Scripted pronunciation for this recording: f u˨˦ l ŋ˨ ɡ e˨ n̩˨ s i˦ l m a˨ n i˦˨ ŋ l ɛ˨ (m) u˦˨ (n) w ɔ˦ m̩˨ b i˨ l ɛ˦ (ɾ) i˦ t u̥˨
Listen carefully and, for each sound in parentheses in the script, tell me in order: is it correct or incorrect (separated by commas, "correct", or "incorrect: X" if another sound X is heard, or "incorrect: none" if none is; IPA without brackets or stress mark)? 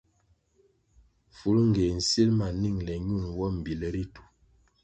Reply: incorrect: ɲ, correct, correct